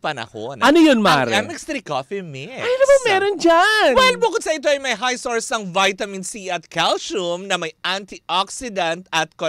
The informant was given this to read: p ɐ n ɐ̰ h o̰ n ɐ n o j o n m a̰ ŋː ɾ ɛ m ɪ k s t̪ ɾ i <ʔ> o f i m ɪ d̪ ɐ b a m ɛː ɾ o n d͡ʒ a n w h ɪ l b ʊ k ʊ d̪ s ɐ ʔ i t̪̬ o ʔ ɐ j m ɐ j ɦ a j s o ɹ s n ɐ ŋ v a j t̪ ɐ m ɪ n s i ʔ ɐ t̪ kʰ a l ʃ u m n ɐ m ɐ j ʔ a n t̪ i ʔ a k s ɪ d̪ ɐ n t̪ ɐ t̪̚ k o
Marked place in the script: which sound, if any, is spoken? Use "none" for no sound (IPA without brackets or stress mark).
k